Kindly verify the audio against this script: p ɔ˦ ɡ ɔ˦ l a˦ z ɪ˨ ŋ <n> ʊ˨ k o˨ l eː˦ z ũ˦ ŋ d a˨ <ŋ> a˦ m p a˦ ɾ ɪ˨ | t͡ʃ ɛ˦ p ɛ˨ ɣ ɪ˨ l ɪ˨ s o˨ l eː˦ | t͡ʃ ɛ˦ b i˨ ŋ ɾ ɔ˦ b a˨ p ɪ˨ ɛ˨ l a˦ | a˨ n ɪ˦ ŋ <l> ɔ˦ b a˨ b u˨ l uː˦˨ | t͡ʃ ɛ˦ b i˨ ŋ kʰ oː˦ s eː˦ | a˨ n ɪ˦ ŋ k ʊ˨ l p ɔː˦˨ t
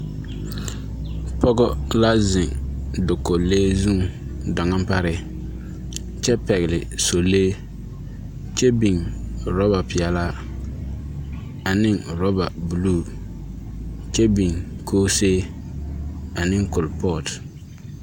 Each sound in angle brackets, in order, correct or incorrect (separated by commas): incorrect, correct, incorrect